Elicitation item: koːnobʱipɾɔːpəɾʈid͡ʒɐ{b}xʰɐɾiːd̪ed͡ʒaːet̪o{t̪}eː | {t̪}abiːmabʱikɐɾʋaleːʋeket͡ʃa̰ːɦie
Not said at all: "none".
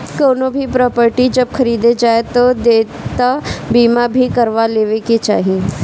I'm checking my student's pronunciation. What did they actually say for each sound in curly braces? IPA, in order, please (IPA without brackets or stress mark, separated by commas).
b, d̪, t̪